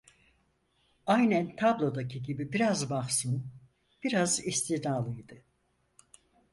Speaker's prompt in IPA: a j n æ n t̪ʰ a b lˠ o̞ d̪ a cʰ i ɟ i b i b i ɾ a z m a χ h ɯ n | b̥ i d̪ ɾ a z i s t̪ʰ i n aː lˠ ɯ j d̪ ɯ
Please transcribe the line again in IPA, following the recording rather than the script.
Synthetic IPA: a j n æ n t̪ʰ a b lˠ o̞ d̪ a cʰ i ɟ i b i b i ɾ a z b a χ s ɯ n | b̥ i ɾ a z i s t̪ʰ i n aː lˠ ɯ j d̪ ɯ